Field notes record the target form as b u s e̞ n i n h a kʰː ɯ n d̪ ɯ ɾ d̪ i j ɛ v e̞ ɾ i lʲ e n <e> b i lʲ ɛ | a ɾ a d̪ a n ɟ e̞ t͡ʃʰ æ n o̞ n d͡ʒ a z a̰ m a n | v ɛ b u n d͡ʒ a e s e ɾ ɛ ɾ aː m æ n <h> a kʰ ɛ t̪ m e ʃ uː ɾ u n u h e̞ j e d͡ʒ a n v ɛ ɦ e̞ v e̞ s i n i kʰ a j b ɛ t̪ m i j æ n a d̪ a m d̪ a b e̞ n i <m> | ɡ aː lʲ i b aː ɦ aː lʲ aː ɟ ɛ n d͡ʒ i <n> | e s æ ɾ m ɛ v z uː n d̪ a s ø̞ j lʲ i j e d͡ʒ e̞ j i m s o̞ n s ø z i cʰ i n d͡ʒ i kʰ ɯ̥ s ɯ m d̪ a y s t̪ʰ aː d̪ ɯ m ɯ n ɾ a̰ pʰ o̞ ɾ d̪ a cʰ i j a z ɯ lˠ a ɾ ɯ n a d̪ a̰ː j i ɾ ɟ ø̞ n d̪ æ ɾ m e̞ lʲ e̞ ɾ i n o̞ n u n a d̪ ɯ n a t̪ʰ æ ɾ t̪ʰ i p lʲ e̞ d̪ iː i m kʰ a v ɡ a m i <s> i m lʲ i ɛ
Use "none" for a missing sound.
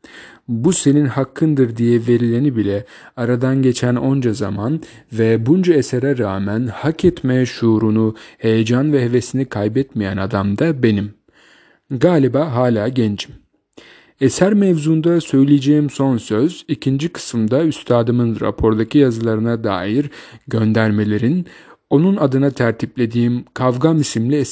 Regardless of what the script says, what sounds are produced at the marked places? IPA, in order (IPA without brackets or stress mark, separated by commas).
i, h, m, m, s